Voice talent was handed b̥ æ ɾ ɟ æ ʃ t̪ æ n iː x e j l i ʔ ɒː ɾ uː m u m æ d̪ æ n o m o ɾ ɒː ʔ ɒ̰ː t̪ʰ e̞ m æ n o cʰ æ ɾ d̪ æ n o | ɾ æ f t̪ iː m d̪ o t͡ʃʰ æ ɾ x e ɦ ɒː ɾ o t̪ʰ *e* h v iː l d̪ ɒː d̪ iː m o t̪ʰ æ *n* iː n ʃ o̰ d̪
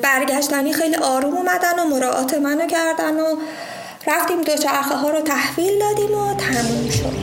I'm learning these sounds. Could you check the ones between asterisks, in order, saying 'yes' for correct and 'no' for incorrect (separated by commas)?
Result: no, no